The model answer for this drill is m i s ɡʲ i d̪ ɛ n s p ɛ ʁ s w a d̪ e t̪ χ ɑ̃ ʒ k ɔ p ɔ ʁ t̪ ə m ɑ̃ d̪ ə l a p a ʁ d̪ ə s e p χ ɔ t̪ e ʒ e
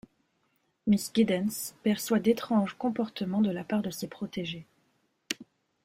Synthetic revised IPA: m i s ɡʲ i d̪ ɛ n s p ɛ ʁ s w a d̪ e t̪ χ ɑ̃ ʒ k ɔ̃ p ɔ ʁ t̪ ə m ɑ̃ d̪ ə l a p a ʁ d̪ ə s e p χ ɔ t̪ e ʒ e